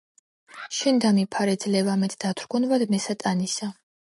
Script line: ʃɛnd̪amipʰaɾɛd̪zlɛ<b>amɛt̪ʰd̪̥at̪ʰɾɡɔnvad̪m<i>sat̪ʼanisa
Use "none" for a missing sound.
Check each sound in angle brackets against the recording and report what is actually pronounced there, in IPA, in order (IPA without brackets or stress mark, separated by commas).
v, ɛ